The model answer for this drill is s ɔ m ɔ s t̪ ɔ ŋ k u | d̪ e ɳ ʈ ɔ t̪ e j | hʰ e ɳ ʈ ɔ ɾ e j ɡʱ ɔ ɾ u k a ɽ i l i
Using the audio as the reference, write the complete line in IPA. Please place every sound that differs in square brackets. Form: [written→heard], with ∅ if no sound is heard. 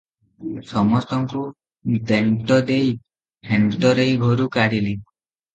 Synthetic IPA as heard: s ɔ m ɔ s t̪ ɔ ŋ k u | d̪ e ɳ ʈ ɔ [t̪→d̪] e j | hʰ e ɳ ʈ ɔ ɾ e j ɡʱ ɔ ɾ u k a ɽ i l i